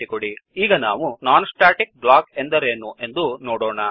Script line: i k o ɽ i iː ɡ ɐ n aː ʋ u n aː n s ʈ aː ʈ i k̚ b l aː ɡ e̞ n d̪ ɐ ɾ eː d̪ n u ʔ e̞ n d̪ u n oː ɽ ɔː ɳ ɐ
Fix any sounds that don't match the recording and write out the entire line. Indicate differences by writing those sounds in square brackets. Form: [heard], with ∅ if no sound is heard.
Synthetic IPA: i k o ɽ i iː ɡ ɐ n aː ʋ u n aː n s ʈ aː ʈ i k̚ b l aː [k] e̞ n d̪ ɐ ɾ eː [∅] n u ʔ e̞ n d̪ u n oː ɽ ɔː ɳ ɐ